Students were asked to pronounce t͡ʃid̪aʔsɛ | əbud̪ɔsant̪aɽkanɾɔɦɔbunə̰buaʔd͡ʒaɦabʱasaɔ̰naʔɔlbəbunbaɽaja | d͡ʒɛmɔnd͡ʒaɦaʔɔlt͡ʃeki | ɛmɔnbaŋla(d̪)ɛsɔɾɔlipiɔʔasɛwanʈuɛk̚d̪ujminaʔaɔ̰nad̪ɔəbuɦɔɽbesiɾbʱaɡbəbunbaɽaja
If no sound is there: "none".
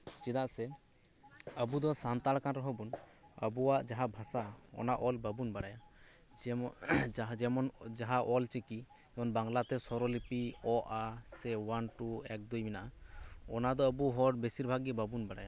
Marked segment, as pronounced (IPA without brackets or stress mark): t̪